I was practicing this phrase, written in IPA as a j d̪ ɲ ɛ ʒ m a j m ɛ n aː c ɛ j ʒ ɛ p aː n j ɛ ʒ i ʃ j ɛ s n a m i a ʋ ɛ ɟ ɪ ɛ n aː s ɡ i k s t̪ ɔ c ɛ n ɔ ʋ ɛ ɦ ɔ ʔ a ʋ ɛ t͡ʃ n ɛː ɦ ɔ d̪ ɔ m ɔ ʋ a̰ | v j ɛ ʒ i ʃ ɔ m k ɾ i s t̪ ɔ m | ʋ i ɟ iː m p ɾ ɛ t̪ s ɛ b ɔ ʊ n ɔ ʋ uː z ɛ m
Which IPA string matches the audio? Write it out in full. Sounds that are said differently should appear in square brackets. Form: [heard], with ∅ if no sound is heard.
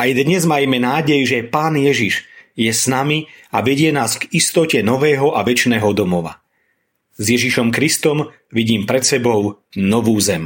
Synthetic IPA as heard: a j d̪ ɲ ɛ [z] m a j m ɛ n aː [ɟ] ɛ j ʒ ɛ p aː n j ɛ ʒ i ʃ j ɛ s n a m i a ʋ ɛ ɟ ɪ ɛ n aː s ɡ i [∅] s t̪ ɔ c ɛ n ɔ ʋ [ɛː] ɦ ɔ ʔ a ʋ ɛ t͡ʃ n ɛː ɦ ɔ d̪ ɔ m ɔ ʋ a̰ | [z] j ɛ ʒ i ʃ ɔ m k ɾ i s t̪ ɔ m | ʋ i ɟ iː m p ɾ ɛ t̪ s ɛ b ɔ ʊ n ɔ ʋ uː z ɛ m